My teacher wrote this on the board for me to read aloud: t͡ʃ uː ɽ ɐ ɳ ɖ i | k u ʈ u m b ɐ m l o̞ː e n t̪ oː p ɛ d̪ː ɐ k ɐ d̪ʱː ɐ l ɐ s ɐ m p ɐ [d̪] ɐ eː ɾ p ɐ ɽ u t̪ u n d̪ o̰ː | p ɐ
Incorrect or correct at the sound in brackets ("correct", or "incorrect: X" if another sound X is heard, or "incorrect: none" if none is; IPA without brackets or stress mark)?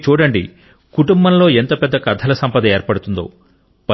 correct